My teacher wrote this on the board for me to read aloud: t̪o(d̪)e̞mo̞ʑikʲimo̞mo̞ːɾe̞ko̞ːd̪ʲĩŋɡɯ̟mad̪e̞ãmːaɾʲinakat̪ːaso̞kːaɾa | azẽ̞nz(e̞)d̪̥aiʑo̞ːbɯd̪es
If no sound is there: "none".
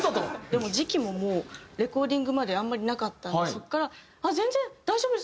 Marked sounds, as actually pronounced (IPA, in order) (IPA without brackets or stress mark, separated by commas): d̪, ẽ̞